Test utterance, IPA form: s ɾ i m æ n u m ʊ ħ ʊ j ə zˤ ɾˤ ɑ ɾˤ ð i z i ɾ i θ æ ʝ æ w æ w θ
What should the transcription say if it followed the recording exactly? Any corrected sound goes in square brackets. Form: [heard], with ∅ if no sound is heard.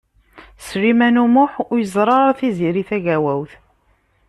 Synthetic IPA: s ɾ i m æ n u m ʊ ħ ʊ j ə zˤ ɾˤ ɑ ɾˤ [θ] i z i ɾ i θ æ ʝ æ w æ w θ